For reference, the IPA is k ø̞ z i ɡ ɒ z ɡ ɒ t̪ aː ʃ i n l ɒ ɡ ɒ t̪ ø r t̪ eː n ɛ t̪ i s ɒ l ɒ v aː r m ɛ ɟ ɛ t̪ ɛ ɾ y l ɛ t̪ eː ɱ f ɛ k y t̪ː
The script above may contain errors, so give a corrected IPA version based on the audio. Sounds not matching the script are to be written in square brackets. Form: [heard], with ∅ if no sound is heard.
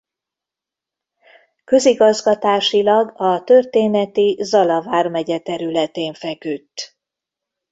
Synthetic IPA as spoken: k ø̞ z i ɡ ɒ z ɡ ɒ t̪ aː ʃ i [∅] l ɒ ɡ ɒ t̪ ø r t̪ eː n ɛ t̪ i [z] ɒ l ɒ v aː r m ɛ ɟ ɛ t̪ ɛ ɾ y l ɛ t̪ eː ɱ f ɛ k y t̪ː